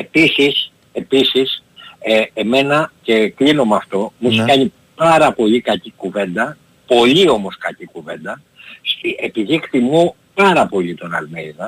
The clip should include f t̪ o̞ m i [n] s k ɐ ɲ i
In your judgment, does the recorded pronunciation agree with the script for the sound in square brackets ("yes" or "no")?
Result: no